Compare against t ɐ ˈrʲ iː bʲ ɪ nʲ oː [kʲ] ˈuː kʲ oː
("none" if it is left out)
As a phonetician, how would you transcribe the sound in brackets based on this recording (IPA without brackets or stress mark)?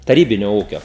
none